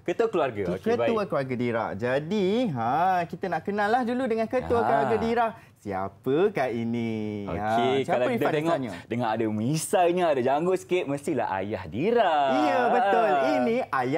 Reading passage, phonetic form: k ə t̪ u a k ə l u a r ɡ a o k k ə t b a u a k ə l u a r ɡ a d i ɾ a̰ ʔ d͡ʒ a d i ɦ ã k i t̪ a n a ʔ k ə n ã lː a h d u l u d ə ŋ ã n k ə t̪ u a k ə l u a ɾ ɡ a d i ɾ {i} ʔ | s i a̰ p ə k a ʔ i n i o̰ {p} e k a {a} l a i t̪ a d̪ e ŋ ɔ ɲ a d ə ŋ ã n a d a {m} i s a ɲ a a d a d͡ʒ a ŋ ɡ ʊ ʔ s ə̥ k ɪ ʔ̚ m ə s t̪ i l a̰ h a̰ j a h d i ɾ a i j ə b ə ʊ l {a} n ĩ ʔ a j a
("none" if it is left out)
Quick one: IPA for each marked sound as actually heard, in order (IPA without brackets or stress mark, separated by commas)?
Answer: a, k, a, m, i